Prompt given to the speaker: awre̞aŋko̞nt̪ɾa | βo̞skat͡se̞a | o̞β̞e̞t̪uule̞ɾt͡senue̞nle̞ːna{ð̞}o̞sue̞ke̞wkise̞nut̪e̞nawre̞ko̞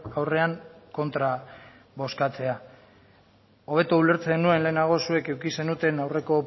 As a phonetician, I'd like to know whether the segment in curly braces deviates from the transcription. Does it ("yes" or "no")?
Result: yes